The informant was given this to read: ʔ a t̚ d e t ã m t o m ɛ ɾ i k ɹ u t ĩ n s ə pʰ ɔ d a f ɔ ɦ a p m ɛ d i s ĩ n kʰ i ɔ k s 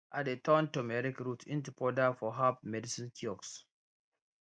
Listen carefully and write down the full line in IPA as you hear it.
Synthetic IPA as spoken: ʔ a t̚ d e t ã n t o m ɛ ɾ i k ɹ u t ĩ n t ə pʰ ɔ d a f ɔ ɦ a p m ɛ d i s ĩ n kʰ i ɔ k s

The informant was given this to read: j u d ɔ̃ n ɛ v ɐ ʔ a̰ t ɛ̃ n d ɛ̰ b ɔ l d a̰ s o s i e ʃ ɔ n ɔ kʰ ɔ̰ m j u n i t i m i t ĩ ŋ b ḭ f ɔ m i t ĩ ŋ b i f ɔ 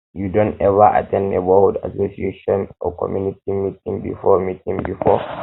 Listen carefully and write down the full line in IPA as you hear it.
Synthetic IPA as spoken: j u d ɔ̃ n ɛ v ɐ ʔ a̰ t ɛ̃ n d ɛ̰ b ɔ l d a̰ s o s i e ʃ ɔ n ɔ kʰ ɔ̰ m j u n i t i m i t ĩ ŋ b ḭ f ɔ m i t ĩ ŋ b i f ɔ

